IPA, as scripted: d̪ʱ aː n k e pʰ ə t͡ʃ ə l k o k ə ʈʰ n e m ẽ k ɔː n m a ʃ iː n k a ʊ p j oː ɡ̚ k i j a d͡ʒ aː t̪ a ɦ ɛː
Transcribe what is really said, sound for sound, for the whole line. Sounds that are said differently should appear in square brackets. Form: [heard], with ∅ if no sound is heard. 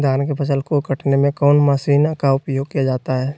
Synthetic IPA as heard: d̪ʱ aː n k e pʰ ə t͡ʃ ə l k o k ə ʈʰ n e m ẽ k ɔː n m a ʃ iː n k a ʊ p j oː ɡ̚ k i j a d͡ʒ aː t̪ a ɦ ɛː